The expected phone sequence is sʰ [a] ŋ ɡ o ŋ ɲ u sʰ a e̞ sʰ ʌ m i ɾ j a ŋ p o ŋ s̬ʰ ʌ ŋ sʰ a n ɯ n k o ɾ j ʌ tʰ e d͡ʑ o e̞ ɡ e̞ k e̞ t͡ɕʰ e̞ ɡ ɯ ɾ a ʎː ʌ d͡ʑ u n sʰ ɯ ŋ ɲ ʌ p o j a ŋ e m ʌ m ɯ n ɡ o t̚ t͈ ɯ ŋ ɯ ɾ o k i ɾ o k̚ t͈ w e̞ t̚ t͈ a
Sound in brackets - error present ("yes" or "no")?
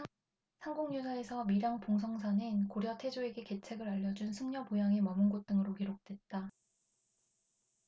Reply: no